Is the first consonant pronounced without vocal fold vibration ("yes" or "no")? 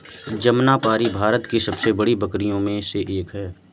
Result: no